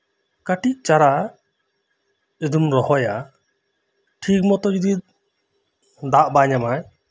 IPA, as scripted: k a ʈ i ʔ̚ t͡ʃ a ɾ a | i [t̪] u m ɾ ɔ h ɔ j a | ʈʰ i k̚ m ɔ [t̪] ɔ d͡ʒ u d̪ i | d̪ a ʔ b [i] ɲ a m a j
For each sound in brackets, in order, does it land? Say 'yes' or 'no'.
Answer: no, yes, no

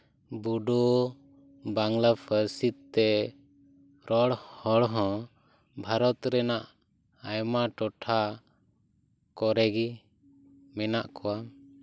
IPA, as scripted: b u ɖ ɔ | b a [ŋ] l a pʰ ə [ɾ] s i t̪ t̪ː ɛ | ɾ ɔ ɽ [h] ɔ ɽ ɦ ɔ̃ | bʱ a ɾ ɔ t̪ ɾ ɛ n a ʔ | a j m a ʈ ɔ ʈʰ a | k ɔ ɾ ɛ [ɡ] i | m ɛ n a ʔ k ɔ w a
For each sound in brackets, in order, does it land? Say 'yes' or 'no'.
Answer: yes, yes, yes, yes

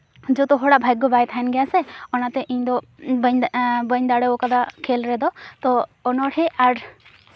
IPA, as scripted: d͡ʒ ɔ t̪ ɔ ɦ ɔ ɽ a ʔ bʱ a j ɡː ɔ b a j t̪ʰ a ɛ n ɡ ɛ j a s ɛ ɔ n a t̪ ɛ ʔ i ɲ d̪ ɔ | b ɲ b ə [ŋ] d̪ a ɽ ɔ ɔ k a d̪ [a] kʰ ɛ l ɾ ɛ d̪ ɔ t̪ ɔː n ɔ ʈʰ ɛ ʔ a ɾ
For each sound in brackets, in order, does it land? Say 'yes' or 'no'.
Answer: no, yes

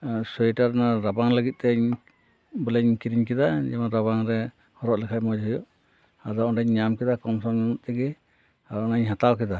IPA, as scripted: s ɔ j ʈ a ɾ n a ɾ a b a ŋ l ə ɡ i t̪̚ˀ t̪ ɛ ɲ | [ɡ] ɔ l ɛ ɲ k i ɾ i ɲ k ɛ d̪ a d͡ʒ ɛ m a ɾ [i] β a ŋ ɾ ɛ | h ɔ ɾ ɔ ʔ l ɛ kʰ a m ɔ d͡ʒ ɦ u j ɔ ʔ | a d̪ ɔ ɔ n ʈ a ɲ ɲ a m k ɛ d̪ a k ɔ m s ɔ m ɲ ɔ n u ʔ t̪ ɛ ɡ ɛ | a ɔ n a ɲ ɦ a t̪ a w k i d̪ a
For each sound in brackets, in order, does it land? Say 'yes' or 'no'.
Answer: no, no

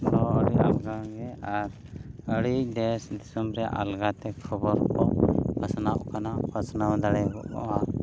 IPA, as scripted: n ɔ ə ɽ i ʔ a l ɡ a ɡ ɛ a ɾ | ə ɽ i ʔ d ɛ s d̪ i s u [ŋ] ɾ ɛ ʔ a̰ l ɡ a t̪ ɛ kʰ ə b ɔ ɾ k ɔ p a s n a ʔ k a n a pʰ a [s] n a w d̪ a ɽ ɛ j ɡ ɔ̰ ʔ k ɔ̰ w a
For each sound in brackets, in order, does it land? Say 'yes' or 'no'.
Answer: no, yes

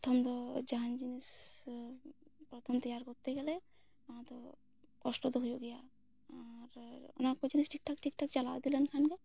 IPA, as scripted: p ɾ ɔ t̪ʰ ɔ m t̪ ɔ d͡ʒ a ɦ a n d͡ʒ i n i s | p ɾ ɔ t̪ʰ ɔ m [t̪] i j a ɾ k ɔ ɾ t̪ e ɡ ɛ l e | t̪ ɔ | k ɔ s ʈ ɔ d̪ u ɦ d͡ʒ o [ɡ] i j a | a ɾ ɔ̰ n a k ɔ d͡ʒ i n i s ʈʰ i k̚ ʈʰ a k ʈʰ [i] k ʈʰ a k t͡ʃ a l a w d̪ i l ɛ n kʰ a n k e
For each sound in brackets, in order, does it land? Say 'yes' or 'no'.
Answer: yes, yes, yes

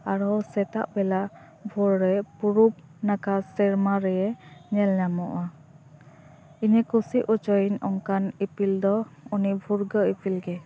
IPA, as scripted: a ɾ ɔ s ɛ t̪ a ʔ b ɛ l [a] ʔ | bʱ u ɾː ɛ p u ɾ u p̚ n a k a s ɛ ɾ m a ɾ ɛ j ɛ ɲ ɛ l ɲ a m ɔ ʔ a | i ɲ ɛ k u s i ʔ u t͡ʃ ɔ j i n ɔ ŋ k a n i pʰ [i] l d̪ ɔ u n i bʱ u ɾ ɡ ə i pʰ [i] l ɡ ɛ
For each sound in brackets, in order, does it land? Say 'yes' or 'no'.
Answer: yes, yes, yes

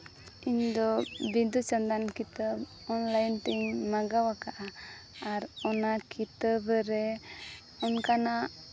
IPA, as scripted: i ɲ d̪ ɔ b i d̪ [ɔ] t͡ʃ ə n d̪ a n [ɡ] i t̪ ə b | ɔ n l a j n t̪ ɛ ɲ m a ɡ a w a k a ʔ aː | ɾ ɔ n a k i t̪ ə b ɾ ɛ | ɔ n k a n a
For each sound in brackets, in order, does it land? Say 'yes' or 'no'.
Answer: no, no

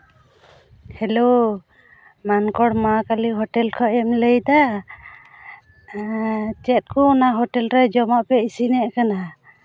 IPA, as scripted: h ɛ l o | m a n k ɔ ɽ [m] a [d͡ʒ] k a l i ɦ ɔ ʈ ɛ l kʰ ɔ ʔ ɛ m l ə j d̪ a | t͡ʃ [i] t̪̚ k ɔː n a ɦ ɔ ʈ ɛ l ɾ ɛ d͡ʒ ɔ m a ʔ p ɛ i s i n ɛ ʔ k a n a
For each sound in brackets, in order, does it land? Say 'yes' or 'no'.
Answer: yes, no, no

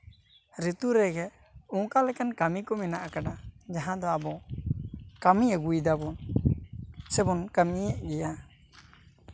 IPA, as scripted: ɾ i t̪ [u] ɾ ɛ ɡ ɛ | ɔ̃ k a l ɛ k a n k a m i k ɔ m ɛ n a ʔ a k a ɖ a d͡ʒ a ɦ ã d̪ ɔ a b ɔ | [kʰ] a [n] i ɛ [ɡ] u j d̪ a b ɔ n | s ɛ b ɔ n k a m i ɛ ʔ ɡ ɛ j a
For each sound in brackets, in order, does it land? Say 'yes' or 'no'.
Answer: yes, no, no, yes

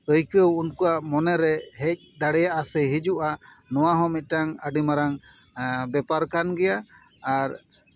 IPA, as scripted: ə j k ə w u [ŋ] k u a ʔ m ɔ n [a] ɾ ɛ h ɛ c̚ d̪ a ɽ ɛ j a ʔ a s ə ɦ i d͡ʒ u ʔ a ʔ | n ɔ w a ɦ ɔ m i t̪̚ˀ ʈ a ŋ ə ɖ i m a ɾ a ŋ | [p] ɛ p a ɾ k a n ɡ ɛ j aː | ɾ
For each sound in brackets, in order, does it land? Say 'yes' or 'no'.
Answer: no, no, no

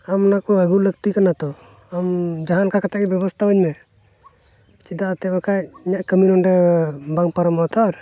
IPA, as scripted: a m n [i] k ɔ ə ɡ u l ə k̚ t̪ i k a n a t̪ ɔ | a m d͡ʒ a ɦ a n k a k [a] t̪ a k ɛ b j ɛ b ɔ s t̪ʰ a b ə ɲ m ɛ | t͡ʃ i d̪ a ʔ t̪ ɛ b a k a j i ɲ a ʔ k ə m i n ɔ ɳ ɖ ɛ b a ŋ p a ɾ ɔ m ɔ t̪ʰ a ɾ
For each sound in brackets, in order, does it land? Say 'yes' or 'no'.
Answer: no, yes

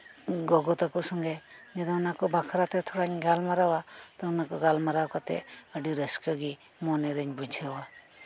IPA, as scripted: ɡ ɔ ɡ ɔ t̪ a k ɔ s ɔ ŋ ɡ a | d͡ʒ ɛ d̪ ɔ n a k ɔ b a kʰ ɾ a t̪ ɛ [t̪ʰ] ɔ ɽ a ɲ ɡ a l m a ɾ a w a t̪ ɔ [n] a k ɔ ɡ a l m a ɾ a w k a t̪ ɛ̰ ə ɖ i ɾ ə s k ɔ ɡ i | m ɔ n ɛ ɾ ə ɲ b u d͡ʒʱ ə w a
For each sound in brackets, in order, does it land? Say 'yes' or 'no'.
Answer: yes, yes

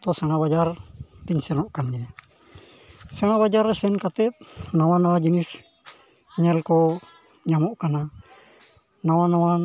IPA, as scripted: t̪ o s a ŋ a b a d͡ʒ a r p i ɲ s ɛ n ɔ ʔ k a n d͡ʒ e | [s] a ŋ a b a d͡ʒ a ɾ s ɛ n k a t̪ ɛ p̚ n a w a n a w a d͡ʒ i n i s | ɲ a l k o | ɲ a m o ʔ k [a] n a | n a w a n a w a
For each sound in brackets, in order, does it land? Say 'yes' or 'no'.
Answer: yes, yes

